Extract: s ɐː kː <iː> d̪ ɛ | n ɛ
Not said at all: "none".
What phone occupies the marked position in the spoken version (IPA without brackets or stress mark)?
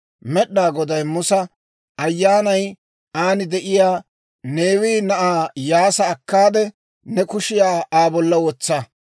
aː